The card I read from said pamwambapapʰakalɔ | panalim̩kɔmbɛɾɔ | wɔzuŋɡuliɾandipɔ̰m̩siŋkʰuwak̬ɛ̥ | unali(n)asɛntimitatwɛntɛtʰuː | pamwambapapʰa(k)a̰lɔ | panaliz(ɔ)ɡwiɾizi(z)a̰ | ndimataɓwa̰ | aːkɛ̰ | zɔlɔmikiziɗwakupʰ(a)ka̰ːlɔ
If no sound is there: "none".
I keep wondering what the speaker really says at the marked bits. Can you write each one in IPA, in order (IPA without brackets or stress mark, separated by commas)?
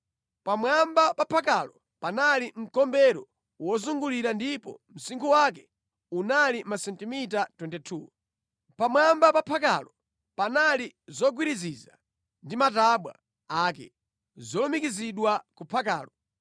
m, k, ɔ, z, a